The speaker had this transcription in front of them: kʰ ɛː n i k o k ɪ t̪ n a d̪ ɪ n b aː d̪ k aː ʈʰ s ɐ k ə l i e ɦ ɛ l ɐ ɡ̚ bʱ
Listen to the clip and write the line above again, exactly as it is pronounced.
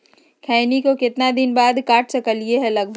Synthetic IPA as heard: kʰ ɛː n i k o k ɪ t̪ n a d̪ ɪ n b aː d̪ k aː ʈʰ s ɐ k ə l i e ɦ ɛ l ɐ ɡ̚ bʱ